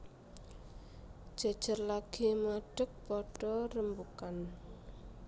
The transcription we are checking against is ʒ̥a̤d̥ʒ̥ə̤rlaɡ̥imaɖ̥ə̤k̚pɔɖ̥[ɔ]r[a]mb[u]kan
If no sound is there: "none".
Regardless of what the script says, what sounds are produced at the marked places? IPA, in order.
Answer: ɔ, ə, u

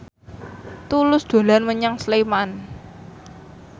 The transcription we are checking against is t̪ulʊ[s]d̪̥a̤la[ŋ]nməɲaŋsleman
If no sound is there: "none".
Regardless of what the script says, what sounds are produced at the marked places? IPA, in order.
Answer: s, none

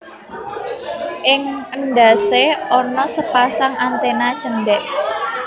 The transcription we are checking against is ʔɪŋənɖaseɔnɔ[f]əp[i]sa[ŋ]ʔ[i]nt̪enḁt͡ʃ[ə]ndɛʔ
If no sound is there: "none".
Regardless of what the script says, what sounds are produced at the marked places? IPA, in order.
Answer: s, a, ŋ, a, ə

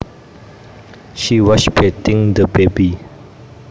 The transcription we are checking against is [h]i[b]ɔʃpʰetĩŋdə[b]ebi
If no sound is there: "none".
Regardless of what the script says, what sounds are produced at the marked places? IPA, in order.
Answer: ʃ, w, b

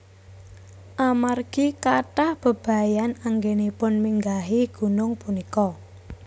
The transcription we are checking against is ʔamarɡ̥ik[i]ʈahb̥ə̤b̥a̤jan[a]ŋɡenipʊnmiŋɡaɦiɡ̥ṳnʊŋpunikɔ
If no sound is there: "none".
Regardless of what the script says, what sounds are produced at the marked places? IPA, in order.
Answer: a, a

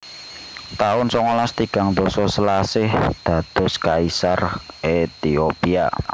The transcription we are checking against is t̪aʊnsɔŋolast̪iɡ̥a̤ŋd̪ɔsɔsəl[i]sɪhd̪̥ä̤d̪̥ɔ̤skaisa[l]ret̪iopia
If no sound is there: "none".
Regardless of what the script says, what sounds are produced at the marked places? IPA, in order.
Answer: a, none

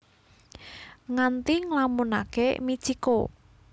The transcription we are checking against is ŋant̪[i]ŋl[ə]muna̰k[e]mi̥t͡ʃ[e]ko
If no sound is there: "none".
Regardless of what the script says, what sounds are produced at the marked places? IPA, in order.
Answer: i, a, e, i

